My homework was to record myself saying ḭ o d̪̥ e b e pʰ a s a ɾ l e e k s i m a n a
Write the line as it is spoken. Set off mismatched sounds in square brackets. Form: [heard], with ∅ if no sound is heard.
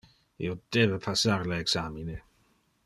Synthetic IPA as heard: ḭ o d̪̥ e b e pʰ a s a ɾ l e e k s [a] m [i] n [e]